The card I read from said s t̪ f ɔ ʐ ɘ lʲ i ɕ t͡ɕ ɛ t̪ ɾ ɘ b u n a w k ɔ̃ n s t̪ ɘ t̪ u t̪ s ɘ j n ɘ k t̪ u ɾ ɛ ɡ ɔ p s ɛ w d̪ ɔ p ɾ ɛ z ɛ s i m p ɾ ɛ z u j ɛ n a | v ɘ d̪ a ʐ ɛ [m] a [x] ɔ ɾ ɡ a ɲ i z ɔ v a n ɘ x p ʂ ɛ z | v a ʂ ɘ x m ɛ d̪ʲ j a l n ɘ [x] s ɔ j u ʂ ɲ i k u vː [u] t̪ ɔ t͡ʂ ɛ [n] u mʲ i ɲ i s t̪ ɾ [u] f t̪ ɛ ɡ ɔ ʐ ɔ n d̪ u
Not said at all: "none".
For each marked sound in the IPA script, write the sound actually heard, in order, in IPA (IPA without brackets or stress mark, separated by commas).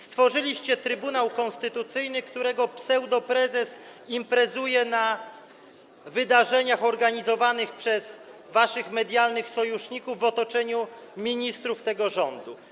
ɲ, x, x, ɔ, ɲ, u